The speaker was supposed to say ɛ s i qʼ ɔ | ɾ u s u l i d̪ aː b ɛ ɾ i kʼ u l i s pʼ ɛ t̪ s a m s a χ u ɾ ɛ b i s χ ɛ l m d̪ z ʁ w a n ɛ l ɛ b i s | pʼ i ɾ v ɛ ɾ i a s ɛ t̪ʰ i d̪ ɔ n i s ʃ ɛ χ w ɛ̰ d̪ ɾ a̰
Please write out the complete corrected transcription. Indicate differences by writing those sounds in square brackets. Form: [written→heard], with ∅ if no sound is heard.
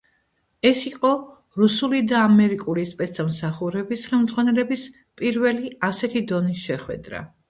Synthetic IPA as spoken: ɛ s i qʼ ɔ | ɾ u s u l i d̪ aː [b→m] ɛ ɾ i kʼ u l i s pʼ ɛ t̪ s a m s a χ u ɾ ɛ b i s χ ɛ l m d̪ z ʁ w a n ɛ l ɛ b i s | pʼ i ɾ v ɛ [ɾ→l] i a s ɛ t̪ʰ i d̪ ɔ n i s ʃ ɛ χ w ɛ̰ d̪ ɾ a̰